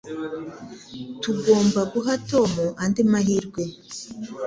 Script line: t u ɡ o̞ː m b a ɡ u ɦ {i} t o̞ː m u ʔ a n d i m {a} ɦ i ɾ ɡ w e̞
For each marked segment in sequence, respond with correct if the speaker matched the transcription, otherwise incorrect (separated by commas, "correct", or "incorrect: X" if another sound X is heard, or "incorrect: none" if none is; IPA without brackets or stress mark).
incorrect: a, correct